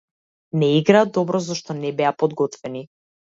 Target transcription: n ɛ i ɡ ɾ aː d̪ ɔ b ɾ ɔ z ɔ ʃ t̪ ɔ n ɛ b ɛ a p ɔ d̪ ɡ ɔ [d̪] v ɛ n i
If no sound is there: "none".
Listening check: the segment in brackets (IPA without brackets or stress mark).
t̪